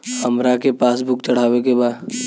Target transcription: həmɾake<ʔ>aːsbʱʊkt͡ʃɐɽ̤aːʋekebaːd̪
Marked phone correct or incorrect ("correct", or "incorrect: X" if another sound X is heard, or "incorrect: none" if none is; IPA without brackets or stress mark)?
incorrect: p